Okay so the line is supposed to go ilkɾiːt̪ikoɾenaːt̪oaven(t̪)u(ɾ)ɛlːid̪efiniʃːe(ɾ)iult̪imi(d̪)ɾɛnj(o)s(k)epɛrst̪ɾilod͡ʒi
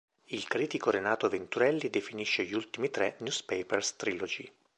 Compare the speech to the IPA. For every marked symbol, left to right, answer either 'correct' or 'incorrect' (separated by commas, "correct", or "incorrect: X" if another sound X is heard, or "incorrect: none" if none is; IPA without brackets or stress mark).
correct, correct, incorrect: ʎ, incorrect: t̪, incorrect: u, incorrect: p